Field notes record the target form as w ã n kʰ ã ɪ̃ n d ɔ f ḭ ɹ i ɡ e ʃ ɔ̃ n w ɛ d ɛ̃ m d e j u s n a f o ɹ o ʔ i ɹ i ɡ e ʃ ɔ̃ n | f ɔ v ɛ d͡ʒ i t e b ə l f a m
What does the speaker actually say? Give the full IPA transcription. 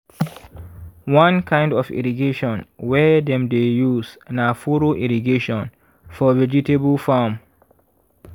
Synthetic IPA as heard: w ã n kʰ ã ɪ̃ n d ɔ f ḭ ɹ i ɡ e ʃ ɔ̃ n w ɛ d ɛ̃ m d e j u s n a f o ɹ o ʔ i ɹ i ɡ e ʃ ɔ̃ n | f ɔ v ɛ d͡ʒ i t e b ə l f a m